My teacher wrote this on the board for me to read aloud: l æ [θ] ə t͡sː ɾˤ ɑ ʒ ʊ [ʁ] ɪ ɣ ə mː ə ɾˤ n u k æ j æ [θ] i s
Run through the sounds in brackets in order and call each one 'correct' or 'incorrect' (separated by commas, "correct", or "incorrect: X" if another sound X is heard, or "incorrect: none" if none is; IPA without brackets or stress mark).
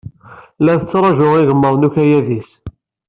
correct, correct, incorrect: ð